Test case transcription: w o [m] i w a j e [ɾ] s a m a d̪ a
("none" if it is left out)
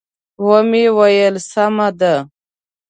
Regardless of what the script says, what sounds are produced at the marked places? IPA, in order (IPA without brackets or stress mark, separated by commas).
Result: m, l